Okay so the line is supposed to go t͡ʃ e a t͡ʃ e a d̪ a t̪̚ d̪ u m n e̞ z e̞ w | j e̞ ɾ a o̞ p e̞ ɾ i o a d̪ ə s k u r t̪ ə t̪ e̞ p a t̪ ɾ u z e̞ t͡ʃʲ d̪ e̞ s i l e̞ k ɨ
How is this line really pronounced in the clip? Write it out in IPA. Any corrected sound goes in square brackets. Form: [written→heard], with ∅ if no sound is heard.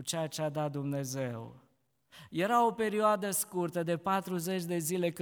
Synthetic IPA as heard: t͡ʃ e a t͡ʃ e a d̪ a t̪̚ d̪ u m n e̞ z e̞ w | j e̞ ɾ a o̞ p e̞ ɾ i o a d̪ ə s k u r t̪ ə [t̪→d̪] e̞ p a t̪ ɾ u z e̞ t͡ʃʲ d̪ e̞ [s→z] i l e̞ k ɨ